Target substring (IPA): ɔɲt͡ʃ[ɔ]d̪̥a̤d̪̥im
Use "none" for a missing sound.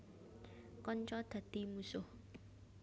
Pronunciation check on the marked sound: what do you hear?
ɔ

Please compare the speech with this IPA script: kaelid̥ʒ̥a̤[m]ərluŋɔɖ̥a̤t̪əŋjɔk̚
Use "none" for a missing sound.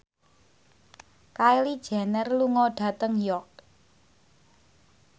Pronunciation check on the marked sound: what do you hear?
n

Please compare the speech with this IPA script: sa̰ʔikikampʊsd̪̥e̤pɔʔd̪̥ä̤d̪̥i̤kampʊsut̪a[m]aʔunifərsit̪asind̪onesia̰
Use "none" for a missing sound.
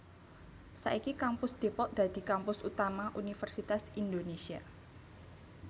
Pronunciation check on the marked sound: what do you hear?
m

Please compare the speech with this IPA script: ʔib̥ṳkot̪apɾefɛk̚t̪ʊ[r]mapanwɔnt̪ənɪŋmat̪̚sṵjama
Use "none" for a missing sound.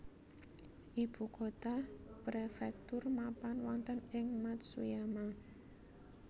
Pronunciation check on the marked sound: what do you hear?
r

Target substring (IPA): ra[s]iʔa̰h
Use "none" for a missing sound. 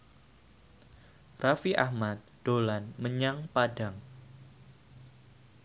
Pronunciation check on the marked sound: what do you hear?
f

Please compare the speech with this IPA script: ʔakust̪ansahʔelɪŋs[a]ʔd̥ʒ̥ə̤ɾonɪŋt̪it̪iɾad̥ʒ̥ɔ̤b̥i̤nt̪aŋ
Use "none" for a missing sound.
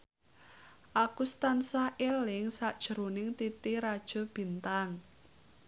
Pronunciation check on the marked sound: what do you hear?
a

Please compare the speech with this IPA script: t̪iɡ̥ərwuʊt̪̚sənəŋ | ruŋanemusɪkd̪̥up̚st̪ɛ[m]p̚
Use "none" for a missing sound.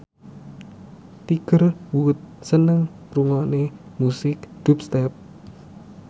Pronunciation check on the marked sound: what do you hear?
none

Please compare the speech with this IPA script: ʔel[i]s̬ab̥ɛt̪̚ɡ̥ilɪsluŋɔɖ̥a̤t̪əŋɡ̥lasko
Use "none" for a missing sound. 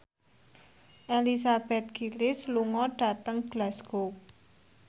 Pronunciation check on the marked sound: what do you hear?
i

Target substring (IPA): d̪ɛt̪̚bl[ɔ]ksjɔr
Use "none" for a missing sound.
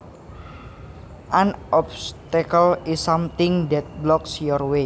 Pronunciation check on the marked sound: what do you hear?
ɔ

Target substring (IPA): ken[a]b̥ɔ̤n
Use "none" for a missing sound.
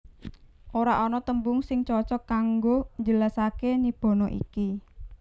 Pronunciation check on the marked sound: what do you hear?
i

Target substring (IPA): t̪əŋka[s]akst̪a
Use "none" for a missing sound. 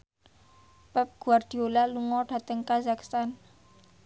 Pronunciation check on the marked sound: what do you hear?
z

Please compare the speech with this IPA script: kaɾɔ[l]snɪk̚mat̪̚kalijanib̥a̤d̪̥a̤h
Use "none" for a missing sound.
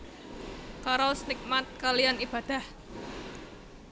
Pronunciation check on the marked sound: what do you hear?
l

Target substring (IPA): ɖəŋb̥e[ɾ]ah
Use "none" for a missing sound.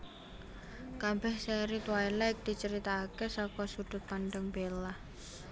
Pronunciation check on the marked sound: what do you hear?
l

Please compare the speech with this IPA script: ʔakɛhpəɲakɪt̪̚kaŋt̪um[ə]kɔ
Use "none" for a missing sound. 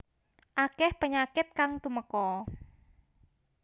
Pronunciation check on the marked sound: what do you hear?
ə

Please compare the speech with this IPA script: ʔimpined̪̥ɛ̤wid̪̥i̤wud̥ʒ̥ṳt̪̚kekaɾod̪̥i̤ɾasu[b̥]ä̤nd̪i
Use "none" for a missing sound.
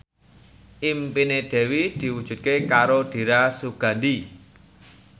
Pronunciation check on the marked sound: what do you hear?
ɡ̥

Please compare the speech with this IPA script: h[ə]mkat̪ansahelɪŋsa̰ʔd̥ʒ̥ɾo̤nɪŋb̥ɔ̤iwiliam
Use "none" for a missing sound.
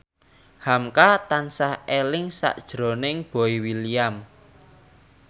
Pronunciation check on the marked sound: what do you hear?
a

